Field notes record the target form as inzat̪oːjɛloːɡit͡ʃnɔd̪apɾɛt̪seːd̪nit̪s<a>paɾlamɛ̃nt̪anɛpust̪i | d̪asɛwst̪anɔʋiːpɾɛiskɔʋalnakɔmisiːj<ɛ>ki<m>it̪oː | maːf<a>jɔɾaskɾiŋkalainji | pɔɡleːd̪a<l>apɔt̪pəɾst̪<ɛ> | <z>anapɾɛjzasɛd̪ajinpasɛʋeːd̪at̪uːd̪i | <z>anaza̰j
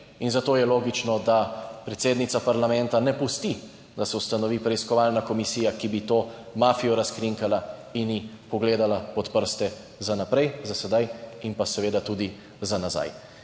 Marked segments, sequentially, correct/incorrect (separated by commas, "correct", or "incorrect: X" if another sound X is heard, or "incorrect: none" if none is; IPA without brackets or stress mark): correct, incorrect: a, incorrect: b, incorrect: i, correct, correct, correct, correct